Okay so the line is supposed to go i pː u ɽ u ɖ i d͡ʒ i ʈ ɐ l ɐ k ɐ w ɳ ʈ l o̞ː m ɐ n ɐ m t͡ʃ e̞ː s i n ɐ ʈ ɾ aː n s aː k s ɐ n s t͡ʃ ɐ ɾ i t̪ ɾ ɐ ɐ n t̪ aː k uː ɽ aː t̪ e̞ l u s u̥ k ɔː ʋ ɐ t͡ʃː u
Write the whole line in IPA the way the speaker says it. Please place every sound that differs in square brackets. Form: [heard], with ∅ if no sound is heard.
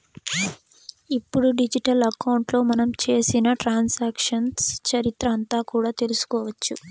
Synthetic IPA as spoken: i pː u ɽ u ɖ i d͡ʒ i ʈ ɐ l ɐ k ɐ w ɳ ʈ l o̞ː m ɐ n ɐ m t͡ʃ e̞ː s i n ɐ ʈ ɾ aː n s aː k [ʂ] ɐ n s t͡ʃ ɐ ɾ i t̪ ɾ ɐ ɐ n t̪ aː k uː ɽ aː t̪ e̞ l u s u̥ k ɔː ʋ ɐ t͡ʃː u